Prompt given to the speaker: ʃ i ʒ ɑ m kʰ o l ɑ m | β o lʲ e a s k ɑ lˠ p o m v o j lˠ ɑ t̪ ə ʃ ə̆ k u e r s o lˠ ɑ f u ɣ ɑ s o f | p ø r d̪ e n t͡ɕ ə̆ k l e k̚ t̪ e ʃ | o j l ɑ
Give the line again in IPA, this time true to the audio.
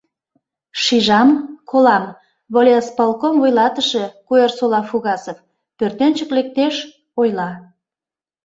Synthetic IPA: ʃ i ʒ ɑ m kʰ o l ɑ m | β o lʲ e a s p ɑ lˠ k o m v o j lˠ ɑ t̪ ə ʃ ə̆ k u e r s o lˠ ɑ f u ɣ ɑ s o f | p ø r t̪ e n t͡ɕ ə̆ k l e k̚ t̪ e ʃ | o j l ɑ